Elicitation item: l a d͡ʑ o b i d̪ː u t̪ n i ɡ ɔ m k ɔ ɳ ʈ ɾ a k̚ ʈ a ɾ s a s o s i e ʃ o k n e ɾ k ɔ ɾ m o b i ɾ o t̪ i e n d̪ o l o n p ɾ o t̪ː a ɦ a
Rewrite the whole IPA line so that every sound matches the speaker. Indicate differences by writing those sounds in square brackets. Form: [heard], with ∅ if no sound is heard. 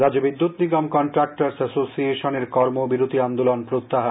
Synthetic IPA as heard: [ɾ] a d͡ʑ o b i d̪ː u t̪ n i ɡ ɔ m k ɔ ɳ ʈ ɾ a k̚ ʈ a ɾ s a s o s i e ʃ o [∅] n e ɾ k ɔ ɾ m o b i ɾ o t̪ i [a] n d̪ o l o n p ɾ o t̪ː a ɦ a